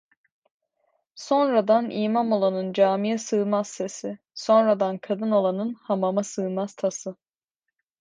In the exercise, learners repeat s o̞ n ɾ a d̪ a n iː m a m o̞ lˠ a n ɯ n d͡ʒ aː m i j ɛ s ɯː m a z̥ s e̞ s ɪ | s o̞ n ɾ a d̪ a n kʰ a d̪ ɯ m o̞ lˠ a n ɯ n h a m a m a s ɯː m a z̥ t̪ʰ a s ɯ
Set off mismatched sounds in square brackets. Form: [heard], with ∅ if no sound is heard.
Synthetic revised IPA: s o̞ n ɾ a d̪ a n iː m a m o̞ lˠ a n ɯ n d͡ʒ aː m i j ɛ s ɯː m a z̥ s e̞ s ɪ | s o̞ n ɾ a d̪ a n kʰ a d̪ ɯ [n] o̞ lˠ a n ɯ n h a m a m a s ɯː m a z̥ t̪ʰ a s ɯ